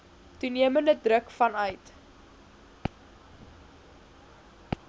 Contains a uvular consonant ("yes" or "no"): no